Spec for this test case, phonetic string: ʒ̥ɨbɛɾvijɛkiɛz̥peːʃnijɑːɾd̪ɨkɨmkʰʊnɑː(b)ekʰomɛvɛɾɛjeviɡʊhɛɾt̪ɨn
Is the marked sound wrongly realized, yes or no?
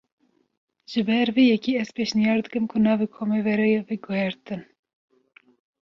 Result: yes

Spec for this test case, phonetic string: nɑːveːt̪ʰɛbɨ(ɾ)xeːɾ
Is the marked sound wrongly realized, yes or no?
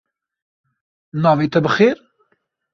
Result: yes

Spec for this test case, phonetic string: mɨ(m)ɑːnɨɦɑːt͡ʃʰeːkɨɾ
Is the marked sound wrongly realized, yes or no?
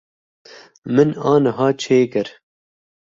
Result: yes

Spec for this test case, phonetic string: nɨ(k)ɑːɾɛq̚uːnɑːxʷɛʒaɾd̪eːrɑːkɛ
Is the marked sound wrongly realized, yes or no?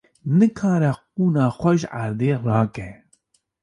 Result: yes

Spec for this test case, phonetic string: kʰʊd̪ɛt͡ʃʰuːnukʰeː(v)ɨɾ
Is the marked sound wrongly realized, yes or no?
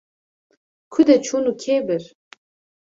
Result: yes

